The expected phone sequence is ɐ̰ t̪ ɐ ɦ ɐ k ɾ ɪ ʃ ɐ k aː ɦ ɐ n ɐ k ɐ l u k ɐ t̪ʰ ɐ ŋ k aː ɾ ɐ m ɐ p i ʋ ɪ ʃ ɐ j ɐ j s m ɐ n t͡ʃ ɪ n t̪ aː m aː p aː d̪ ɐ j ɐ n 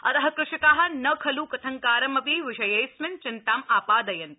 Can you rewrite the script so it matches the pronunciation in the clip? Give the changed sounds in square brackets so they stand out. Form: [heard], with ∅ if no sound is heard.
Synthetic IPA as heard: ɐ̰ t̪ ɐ ɦ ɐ k ɾ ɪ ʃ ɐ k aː ɦ ɐ n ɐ [kʰ] ɐ l u k ɐ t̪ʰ ɐ ŋ k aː ɾ ɐ m ɐ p i ʋ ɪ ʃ ɐ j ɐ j s m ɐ n t͡ʃ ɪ n t̪ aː m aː p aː d̪ ɐ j ɐ n

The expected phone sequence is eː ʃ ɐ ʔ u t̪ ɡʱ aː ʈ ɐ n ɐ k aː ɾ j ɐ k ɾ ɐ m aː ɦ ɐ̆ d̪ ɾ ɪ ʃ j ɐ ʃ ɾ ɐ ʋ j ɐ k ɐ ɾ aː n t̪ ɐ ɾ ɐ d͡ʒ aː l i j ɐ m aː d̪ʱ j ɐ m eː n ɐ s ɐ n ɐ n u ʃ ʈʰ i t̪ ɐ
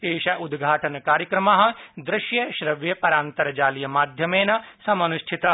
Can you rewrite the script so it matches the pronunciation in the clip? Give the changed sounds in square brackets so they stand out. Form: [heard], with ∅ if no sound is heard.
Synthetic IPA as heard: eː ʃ ɐ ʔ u [d̪] ɡʱ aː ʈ ɐ n ɐ k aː ɾ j ɐ k ɾ ɐ m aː ɦ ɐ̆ d̪ ɾ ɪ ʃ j ɐ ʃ ɾ ɐ ʋ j ɐ [p] ɐ ɾ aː n t̪ ɐ ɾ ɐ d͡ʒ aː l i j ɐ m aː d̪ʱ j ɐ m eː n ɐ s ɐ [m] ɐ n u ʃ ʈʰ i t̪ ɐ

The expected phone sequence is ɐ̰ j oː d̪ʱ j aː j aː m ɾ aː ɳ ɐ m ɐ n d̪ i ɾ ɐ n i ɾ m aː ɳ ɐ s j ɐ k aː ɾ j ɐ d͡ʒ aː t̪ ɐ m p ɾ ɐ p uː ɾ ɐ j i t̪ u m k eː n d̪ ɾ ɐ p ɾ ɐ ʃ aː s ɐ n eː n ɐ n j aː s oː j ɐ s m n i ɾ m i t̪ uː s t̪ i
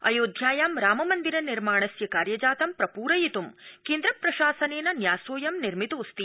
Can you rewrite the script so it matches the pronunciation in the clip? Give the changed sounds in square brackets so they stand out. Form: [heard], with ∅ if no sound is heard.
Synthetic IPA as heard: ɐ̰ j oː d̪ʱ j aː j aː m ɾ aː [m] ɐ m ɐ n d̪ i ɾ ɐ n i ɾ m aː ɳ ɐ s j ɐ k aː ɾ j ɐ d͡ʒ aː t̪ ɐ m p ɾ ɐ p uː ɾ ɐ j i t̪ u m k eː n d̪ ɾ ɐ p ɾ ɐ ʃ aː s ɐ n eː n ɐ n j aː s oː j ɐ [∅] m n i ɾ m i t̪ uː s t̪ i

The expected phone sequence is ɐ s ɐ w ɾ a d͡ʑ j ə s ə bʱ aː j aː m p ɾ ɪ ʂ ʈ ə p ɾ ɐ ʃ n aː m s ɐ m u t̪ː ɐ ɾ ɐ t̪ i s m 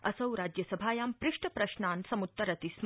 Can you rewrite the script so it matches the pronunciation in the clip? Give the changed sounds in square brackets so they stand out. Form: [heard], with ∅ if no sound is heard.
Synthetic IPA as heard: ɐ s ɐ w ɾ a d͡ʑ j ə s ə bʱ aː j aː m p ɾ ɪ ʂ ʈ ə p ɾ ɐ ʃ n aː [n] s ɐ m u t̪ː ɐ ɾ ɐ t̪ i s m

